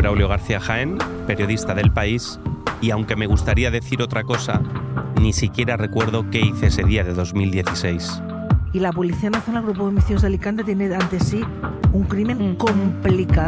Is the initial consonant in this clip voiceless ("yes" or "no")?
no